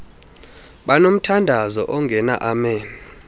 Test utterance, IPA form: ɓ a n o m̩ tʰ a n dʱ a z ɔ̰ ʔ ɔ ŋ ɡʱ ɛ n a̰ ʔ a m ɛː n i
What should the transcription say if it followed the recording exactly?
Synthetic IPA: ɓ a n o m̩ tʰ a n dʱ a z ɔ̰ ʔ ɔ ŋ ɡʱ ɛ n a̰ ʔ a m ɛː n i